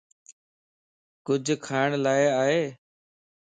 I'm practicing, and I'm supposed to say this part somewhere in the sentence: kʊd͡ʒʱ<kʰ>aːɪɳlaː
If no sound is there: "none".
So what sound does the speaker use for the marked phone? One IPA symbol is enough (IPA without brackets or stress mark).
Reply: kʰ